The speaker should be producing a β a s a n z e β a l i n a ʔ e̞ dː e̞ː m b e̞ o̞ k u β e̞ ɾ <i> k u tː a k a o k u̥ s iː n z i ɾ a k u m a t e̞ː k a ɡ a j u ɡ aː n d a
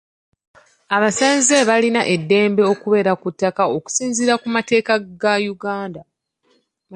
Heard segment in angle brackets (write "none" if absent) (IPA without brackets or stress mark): a